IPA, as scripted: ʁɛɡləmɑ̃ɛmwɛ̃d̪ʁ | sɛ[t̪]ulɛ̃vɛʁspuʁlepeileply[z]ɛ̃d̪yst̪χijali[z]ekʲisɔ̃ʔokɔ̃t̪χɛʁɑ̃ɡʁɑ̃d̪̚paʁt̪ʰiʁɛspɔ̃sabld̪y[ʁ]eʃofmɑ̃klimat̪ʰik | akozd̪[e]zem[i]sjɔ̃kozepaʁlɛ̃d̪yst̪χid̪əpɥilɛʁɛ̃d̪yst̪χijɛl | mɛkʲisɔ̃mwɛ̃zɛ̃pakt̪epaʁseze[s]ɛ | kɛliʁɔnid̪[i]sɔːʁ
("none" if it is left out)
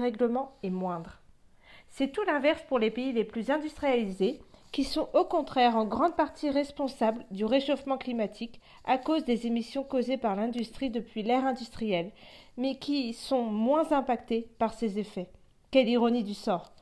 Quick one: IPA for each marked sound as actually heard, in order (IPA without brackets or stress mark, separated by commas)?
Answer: t̪, z, z, ʁ, e, i, f, y